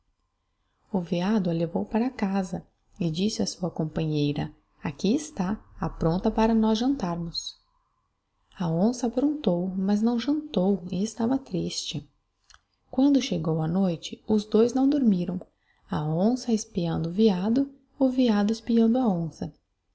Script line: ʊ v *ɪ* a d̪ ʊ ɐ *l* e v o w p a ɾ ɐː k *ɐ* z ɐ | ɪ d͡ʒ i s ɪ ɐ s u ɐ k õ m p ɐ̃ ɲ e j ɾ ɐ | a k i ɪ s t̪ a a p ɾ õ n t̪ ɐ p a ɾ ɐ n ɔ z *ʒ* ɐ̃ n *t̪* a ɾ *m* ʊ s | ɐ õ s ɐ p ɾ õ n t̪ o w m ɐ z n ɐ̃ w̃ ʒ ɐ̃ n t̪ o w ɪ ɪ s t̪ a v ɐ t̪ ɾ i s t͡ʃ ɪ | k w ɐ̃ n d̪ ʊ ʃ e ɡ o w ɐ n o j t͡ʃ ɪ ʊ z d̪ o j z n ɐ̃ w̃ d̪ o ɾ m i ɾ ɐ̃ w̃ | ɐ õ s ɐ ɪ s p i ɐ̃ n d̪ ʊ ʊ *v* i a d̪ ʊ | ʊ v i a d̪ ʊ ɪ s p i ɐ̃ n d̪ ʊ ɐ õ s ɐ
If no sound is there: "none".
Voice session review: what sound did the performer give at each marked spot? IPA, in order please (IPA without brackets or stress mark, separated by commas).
i, l, a, ʒ, t̪, m, v